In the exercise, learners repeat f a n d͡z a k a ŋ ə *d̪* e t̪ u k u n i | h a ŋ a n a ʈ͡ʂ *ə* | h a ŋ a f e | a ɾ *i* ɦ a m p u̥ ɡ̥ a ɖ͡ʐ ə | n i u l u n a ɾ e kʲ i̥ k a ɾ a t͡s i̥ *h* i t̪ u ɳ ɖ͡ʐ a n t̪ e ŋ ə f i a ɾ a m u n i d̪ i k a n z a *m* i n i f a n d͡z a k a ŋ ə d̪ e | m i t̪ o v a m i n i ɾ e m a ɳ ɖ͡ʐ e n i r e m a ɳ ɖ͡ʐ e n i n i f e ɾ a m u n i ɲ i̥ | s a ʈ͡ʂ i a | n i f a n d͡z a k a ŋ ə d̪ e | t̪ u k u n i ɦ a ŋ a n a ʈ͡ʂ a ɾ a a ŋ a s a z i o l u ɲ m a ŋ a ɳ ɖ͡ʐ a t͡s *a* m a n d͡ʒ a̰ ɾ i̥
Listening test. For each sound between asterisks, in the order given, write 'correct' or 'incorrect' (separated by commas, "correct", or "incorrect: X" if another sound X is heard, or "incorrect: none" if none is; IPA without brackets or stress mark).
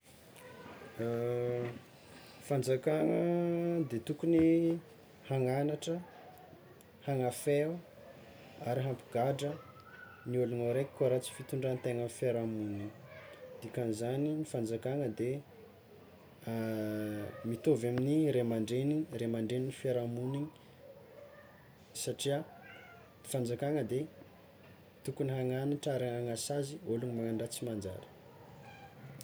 correct, correct, correct, incorrect: f, incorrect: n, incorrect: i